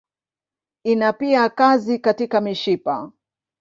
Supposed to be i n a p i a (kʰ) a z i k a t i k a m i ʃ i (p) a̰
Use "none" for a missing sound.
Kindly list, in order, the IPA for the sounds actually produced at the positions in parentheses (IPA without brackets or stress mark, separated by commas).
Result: k, p